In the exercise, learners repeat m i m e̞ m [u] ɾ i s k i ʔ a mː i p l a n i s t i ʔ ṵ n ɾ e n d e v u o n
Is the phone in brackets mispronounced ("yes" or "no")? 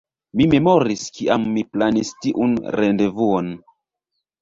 yes